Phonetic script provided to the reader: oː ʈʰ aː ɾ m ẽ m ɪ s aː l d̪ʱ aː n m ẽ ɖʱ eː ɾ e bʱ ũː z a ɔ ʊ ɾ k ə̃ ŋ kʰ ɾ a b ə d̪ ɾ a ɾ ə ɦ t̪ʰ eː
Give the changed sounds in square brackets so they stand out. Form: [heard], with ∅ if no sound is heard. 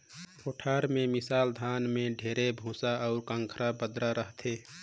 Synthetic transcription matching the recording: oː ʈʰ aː ɾ m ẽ m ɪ s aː l d̪ʱ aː n m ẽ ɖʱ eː ɾ e bʱ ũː [s] a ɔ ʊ ɾ k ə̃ ŋ kʰ ɾ a b ə d̪ ɾ a ɾ ə ɦ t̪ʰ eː

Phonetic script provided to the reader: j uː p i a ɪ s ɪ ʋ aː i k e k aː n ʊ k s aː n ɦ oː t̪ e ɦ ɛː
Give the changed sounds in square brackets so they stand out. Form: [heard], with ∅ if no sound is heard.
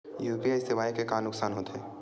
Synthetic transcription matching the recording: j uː p i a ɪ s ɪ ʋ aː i k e k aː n ʊ k s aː n ɦ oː t̪ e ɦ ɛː

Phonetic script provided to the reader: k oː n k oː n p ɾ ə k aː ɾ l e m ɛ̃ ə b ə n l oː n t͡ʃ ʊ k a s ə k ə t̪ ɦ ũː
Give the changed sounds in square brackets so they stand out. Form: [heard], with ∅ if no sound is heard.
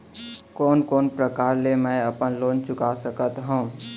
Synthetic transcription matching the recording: k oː n k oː n p ɾ ə k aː ɾ l e m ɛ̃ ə [p] ə n l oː n t͡ʃ ʊ k a s ə k ə t̪ ɦ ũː

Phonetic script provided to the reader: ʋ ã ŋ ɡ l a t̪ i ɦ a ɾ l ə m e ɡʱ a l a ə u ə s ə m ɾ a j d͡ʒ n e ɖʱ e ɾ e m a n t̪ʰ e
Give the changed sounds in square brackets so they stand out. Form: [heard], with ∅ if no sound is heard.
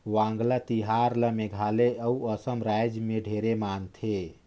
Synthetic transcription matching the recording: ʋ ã ŋ ɡ l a t̪ i ɦ a ɾ l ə m e ɡʱ a l [e] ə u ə s ə m ɾ a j d͡ʒ [m] e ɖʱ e ɾ e m a n t̪ʰ e

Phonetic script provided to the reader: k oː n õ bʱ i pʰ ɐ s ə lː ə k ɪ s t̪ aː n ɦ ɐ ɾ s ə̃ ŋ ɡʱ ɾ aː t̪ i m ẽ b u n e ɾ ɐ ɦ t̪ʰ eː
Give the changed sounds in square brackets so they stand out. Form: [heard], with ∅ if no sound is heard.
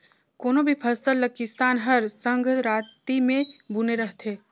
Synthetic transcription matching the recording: k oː n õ bʱ i pʰ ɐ s ə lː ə k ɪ s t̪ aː n ɦ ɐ ɾ s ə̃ ŋ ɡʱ ɾ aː t̪ i m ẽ b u n e ɾ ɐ ɦ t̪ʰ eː

